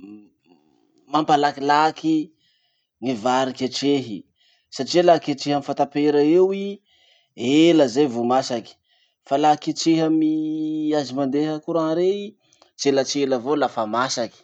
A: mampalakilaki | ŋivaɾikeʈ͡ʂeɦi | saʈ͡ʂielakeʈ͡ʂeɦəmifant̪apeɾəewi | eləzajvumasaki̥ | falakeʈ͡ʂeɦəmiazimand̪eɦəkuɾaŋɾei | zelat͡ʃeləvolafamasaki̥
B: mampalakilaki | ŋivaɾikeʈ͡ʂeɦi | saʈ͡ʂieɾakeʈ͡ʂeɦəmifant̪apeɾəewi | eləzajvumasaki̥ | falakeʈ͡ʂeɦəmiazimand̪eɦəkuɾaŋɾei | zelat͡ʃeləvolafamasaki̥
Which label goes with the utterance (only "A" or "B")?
A